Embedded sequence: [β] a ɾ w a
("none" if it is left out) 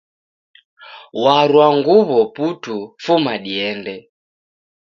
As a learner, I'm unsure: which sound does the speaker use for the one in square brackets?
w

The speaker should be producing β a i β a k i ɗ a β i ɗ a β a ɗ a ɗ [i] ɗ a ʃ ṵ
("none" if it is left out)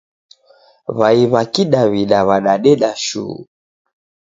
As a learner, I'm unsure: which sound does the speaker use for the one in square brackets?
ɛ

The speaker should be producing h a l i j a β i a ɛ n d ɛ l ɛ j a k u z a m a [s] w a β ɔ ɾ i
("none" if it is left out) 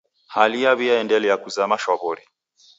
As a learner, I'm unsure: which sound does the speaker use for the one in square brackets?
ʃ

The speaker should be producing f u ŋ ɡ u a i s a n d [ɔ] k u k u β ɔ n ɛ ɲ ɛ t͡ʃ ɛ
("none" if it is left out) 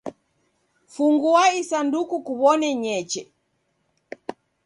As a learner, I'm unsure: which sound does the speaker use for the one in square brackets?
u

